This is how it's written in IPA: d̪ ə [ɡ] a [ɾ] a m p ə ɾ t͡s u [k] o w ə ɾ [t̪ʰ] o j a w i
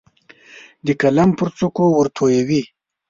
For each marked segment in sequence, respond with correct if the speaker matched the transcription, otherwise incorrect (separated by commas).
incorrect, incorrect, correct, correct